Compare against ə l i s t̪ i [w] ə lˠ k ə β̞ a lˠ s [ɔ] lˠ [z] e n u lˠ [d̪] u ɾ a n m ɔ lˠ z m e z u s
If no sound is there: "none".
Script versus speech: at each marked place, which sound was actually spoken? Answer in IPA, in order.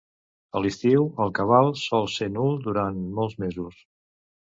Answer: w, ɔ, s, d̪

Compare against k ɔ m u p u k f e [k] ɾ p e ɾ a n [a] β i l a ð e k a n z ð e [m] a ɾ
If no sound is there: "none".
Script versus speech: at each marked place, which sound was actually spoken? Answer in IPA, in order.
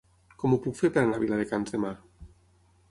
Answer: none, a, m

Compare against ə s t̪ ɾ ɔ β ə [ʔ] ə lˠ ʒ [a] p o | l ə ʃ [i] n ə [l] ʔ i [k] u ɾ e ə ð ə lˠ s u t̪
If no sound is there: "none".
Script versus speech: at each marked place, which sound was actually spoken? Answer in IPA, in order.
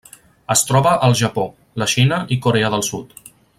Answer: ʔ, ə, i, none, k

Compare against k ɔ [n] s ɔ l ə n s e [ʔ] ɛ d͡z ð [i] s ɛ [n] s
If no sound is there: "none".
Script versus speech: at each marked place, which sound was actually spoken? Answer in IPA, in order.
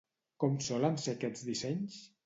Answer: m, k, i, ɲ

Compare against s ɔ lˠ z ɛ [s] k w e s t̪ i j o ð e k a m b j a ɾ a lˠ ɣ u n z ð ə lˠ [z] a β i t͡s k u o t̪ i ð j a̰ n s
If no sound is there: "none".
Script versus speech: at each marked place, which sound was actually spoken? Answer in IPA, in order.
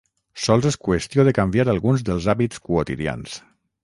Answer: s, z

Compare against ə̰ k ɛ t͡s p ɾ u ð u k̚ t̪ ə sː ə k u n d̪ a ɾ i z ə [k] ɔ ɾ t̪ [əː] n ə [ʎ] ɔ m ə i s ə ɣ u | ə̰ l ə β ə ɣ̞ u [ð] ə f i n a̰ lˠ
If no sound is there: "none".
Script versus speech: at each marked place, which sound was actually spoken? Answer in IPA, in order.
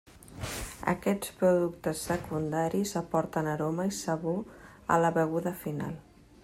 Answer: p, ə, ɾ, ð

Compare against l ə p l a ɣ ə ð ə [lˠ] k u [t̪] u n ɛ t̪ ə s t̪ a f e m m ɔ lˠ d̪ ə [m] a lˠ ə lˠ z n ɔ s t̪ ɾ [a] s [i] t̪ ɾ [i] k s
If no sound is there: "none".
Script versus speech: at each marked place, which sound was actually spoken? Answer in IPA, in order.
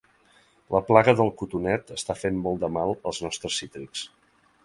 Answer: lˠ, t̪, m, ə, i, i

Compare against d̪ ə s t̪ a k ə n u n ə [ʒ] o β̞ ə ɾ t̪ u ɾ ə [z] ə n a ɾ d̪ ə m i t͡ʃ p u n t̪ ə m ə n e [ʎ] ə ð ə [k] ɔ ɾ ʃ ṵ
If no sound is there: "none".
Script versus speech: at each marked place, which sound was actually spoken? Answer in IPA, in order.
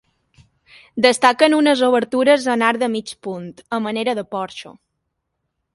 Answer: z, z, ɾ, p

